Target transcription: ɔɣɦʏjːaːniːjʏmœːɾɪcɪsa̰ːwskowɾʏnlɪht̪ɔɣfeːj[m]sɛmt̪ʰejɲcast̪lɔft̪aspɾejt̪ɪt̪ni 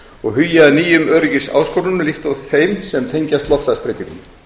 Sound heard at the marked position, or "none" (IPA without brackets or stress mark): m